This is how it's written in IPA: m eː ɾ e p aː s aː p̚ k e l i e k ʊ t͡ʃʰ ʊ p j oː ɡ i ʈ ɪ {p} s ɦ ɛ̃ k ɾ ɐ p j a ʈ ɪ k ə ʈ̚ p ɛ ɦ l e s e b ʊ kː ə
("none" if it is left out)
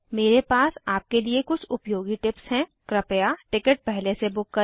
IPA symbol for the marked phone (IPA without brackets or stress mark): p